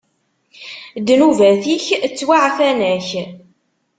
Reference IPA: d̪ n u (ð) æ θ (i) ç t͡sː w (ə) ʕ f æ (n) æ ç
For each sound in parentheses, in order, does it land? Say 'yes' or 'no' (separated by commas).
no, yes, no, yes